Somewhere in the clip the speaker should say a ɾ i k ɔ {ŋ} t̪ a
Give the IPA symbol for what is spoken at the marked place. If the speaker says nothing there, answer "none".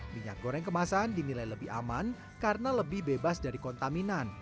n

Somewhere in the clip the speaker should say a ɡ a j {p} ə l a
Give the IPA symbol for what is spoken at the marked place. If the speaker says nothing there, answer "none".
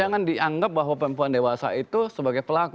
p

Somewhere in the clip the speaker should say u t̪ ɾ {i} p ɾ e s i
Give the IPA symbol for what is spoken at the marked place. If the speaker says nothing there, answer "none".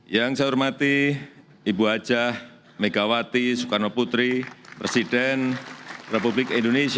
i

